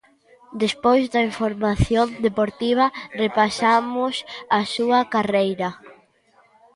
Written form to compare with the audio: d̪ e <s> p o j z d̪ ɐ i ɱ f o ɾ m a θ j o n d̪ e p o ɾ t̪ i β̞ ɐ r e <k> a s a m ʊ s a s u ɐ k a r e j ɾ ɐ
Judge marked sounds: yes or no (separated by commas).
yes, no